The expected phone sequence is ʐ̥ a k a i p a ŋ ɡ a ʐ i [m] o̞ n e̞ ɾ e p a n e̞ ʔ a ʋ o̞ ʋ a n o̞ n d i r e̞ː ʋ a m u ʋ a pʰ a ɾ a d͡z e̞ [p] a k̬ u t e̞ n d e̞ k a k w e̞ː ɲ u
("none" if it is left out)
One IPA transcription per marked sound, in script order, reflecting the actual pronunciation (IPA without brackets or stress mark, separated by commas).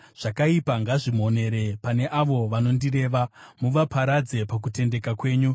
m, p